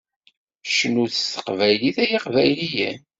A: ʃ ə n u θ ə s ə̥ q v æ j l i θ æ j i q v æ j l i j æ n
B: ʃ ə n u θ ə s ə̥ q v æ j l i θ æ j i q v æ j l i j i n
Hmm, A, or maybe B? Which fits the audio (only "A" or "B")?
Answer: A